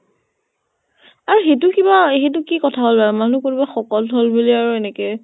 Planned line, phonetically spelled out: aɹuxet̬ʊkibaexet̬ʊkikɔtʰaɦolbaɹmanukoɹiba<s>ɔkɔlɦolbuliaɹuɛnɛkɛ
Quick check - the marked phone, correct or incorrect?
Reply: incorrect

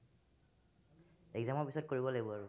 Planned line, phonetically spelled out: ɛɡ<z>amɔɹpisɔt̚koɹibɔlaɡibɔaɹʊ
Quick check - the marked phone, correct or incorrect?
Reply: correct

